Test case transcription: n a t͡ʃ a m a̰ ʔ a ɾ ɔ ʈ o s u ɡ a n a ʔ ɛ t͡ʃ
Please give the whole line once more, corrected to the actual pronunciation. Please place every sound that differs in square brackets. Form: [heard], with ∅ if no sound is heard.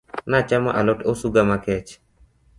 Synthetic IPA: n a t͡ʃ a m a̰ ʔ a [l] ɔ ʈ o s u ɡ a [m] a [k] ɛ t͡ʃ